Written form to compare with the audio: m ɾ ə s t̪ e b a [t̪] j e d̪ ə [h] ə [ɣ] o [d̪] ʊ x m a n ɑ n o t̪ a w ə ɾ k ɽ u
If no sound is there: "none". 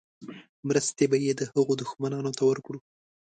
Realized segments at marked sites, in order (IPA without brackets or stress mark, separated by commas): none, h, ɣ, d̪